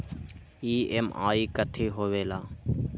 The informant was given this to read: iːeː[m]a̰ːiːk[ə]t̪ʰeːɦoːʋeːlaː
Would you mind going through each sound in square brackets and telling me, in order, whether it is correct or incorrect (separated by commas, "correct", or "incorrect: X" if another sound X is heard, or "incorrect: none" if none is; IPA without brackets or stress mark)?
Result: correct, correct